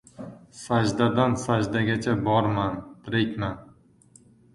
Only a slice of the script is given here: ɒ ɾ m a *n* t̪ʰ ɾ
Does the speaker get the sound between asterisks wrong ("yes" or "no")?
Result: no